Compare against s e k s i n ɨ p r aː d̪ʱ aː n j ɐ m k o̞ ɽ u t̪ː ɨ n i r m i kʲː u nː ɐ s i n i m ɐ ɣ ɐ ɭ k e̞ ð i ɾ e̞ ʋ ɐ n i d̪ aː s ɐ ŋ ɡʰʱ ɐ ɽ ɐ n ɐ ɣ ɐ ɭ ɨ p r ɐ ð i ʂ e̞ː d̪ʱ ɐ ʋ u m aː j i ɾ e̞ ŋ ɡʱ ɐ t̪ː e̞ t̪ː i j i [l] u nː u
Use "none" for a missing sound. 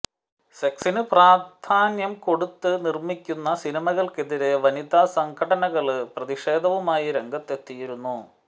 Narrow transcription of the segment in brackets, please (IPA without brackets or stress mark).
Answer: ɾ